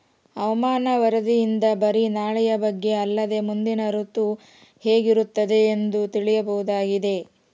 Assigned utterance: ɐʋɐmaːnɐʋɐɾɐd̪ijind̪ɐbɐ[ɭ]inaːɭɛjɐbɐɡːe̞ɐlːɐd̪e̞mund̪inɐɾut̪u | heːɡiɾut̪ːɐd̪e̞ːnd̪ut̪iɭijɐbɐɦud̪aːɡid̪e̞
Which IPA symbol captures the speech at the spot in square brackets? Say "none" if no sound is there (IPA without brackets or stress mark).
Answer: ɾ